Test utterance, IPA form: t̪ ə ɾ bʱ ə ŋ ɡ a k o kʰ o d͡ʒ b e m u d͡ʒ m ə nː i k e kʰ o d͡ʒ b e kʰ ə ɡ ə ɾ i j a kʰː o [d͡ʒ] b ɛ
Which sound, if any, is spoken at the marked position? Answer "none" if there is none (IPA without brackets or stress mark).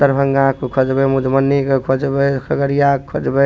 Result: d͡ʒ